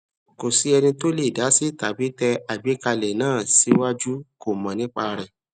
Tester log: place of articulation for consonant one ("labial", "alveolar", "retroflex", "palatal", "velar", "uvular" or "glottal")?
velar